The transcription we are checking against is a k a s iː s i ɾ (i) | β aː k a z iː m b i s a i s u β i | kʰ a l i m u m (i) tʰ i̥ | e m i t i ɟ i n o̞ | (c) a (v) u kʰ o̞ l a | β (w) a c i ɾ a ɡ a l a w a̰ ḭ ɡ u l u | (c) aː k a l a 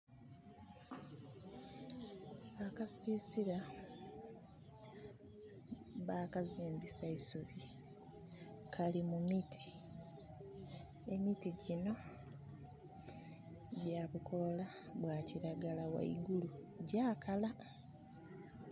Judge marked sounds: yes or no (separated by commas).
no, yes, no, no, yes, no